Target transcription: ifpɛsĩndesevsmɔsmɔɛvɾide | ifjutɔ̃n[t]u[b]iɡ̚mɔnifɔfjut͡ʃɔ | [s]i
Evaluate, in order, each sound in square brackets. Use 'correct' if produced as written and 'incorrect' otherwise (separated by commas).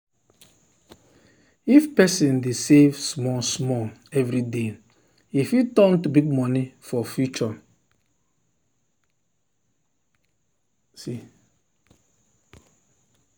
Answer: correct, correct, correct